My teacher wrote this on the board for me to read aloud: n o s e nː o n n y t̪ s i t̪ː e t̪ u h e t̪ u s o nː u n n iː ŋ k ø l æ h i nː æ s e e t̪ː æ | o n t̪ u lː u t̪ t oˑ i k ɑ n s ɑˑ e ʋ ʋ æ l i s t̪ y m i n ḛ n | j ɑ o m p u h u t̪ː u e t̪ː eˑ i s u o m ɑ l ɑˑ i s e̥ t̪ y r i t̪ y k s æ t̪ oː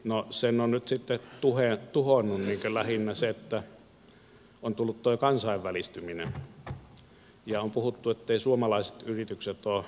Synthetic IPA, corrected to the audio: n o s e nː o n n y t̪ s i t̪ː e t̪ u h e t̪ u h o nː u n n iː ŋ k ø l æ h i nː æ s e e t̪ː æ | o n t̪ u lː u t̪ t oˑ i k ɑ n s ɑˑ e ʋ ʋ æ l i s t̪ y m i n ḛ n | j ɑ o m p u h u t̪ː u e t̪ː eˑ i s u o m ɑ l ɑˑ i s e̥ t̪ y r i t̪ y k s e t̪ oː